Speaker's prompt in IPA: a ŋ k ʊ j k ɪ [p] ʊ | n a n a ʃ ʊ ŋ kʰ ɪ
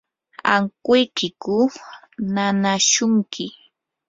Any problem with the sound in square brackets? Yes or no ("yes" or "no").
yes